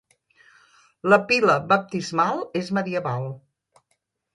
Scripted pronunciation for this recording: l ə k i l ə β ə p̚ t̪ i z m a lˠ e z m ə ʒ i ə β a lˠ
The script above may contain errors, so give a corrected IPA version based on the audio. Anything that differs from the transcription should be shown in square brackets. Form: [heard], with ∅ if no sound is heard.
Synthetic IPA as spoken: l ə [p] i l ə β ə p̚ t̪ i z m a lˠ e z m ə [ð] i ə β a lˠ